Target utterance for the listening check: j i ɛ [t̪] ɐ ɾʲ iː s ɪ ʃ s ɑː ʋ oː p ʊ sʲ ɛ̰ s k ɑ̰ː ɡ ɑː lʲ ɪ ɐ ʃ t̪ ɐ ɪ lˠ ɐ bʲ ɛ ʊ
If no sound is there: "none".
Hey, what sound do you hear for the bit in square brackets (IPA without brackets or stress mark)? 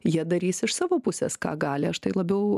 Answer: d̪